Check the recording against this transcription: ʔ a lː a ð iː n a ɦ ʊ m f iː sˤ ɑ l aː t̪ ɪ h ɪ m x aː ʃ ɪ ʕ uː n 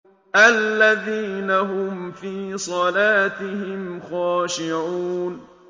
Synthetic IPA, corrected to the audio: ʔ a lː a ð iː n a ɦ ʊ m f iː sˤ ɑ l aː t̪ ɪ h ɪ m x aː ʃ ɪ ʕ uː n